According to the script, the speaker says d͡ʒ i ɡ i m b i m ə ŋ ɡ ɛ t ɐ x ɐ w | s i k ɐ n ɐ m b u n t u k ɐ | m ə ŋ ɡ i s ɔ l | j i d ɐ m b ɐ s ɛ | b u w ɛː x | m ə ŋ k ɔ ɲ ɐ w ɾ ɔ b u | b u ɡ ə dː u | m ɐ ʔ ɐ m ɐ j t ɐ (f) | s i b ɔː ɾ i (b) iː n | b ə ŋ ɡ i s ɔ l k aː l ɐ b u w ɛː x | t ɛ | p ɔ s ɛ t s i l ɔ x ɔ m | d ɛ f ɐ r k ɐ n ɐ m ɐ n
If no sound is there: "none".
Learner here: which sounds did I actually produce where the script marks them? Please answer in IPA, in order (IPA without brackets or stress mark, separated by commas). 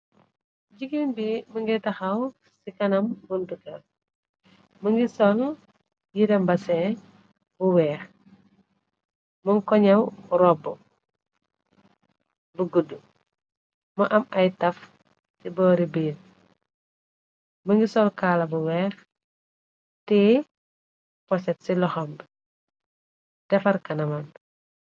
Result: f, b